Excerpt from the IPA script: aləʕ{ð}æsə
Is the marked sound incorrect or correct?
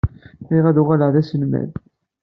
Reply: correct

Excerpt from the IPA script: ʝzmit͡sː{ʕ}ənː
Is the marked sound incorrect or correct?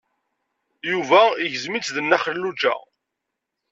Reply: incorrect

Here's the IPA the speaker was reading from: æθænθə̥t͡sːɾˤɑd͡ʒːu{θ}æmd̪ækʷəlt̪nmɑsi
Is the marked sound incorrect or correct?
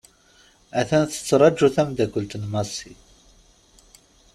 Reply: correct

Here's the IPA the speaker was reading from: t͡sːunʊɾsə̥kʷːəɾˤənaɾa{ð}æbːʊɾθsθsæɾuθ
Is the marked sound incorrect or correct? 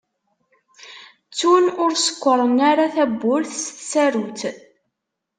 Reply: incorrect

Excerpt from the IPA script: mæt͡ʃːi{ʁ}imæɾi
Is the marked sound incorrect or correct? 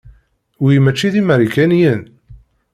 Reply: incorrect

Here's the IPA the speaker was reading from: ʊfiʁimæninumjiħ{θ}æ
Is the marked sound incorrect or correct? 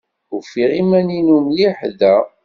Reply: incorrect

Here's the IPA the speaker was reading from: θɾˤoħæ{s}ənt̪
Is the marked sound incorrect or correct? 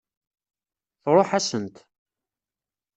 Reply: correct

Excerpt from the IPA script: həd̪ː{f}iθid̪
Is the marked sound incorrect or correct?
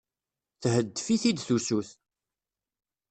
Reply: correct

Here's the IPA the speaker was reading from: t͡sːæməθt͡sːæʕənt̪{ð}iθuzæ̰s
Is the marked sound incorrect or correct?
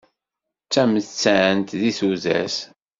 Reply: correct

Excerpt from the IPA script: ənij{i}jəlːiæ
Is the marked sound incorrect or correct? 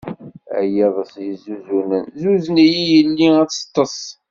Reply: correct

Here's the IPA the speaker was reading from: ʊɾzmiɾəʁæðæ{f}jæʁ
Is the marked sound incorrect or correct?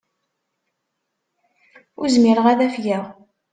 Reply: correct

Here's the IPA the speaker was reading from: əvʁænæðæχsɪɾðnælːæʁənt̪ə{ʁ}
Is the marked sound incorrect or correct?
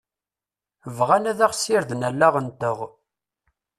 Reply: correct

